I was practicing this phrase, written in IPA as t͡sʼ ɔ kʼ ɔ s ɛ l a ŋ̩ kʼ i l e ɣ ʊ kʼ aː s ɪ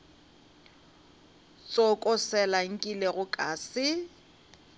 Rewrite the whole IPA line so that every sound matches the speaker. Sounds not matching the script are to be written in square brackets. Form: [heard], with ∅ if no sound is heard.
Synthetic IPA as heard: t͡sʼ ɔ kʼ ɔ s ɛ l a ŋ̩ kʼ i l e ɣ ʊ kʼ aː s ɪ